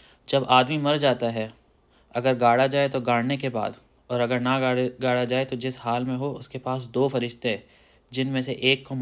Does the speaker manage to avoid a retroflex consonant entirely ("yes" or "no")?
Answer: no